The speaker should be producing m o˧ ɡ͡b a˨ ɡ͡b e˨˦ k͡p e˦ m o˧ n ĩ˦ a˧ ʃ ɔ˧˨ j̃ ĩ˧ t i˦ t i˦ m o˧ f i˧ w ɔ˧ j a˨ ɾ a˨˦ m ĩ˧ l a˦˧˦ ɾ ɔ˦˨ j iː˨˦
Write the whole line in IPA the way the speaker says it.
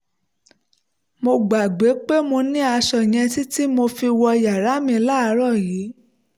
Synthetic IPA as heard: m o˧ ɡ͡b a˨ ɡ͡b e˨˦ k͡p e˦ m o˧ n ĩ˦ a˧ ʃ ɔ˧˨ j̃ ɛ̃˧ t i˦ t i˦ m o˧ f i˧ w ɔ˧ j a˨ ɾ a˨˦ m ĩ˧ l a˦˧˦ ɾ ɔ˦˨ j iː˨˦